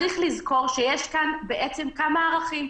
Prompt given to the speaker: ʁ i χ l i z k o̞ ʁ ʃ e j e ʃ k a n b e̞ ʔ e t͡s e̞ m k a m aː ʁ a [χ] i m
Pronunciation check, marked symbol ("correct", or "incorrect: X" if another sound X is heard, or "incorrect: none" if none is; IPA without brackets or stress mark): correct